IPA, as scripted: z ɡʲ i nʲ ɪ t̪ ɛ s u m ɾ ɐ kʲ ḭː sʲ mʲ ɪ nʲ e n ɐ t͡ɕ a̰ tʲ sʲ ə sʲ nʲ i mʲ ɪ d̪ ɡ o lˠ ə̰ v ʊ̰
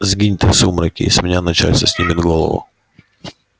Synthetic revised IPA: z ɡʲ i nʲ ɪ t̪ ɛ s u m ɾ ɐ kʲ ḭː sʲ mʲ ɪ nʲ a n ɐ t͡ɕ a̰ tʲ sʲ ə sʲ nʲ i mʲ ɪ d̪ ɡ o lˠ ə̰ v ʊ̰